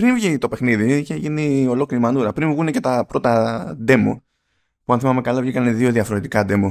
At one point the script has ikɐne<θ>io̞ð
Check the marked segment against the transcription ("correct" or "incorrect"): incorrect